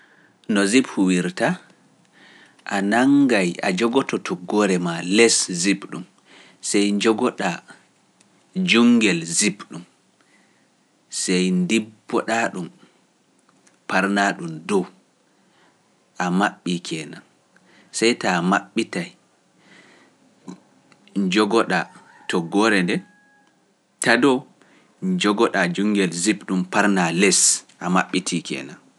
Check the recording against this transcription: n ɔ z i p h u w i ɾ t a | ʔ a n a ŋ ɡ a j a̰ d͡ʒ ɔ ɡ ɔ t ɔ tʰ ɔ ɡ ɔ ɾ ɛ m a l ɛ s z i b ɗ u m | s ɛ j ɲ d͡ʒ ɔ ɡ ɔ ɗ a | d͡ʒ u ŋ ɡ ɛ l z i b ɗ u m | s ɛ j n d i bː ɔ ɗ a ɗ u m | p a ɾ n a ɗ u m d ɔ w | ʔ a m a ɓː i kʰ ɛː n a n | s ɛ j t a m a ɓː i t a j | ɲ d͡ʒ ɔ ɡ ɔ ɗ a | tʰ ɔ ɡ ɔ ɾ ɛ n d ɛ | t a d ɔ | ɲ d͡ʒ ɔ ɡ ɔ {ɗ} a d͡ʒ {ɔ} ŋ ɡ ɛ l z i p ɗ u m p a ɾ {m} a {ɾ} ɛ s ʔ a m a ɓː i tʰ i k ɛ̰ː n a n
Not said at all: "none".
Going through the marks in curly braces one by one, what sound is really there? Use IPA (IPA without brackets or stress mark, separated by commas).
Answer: ɗ, u, n, l